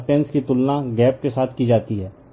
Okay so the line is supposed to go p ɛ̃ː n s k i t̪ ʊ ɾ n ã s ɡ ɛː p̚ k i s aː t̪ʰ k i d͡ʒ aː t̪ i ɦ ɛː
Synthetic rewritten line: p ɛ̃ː n s k i t̪ ʊ l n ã ɡ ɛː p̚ k e s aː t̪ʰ k i d͡ʒ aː t̪ i ɦ ɛː

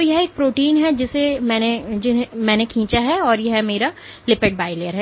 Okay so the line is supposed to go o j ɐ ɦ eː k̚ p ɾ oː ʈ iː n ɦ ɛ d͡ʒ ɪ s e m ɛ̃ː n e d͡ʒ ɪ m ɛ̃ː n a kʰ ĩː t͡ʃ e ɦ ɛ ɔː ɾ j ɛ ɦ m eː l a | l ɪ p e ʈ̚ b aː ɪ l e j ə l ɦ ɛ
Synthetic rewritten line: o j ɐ ɦ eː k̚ p ɾ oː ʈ iː n ɦ ɛ d͡ʒ ɪ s e m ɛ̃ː n e d͡ʒ ɪ m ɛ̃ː n e kʰ ĩː t͡ʃ a ɦ ɛ ɔː ɾ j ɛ ɦ m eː ɾ a | l ɪ p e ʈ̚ b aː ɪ l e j ə ɾ ɦ ɛ

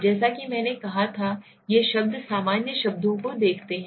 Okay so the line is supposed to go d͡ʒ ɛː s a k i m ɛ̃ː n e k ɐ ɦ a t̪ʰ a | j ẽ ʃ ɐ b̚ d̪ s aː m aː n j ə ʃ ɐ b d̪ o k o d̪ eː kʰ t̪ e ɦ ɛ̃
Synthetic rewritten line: d͡ʒ ɛː s a k i m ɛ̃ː n e k ɐ ɦ a t̪ʰ a | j e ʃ ɐ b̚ d̪ s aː m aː n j ə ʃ ɐ b d̪ õ k o d̪ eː kʰ t̪ e ɦ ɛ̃

